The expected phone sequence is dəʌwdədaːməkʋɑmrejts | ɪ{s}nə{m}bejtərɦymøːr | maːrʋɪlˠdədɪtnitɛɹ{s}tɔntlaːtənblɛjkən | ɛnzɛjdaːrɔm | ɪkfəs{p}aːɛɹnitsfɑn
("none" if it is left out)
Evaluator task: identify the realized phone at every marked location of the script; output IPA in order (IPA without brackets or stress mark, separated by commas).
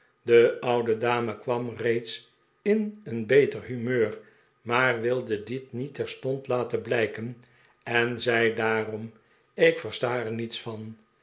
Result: none, n, s, t